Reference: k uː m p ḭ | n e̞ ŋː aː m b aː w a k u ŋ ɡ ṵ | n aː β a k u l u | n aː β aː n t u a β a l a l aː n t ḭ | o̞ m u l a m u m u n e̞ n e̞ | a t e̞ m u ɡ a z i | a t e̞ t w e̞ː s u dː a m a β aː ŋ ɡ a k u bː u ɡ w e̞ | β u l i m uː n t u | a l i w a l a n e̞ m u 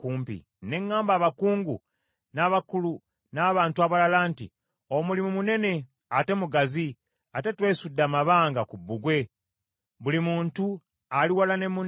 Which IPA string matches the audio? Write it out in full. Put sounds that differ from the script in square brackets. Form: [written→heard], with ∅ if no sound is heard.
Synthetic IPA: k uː m p ḭ | n e̞ ŋː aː m b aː [w→β] a k [u→uː] ŋ ɡ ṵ | n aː β a k u l u | n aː β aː n t u a β a l a l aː n t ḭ | o̞ m u l [a→i] m u m u n e̞ n e̞ | a t e̞ m u ɡ a z i | a t e̞ t w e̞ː s u dː a m a β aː ŋ ɡ a k u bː u ɡ w e̞ | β u l i m uː n t u | a l i w a l a n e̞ m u